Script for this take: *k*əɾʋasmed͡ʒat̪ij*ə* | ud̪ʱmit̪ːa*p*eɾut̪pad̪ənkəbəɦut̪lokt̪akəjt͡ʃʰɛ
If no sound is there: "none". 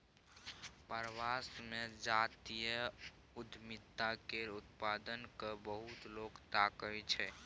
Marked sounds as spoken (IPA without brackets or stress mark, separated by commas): p, ə, k